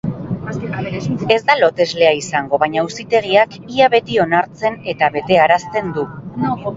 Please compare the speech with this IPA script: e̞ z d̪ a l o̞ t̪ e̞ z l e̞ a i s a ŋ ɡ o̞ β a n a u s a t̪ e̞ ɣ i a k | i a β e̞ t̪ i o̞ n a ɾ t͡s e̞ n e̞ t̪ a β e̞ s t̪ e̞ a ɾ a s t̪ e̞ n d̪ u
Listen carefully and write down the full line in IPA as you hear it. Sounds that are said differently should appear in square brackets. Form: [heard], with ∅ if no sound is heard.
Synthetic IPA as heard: e̞ z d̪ a l o̞ t̪ e̞ z l e̞ a i s a ŋ ɡ o̞ β a [ɲ] a u s [i] t̪ e̞ ɣ i a k | i a β e̞ t̪ i o̞ n a ɾ t͡s e̞ n e̞ t̪ a β e̞ [∅] t̪ e̞ a ɾ a s t̪ e̞ n d̪ u